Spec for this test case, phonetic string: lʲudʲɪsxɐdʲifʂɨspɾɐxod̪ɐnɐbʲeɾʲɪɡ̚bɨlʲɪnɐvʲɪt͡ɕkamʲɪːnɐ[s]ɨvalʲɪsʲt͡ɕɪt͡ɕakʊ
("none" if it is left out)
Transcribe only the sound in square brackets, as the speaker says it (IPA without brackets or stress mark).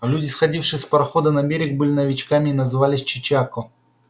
z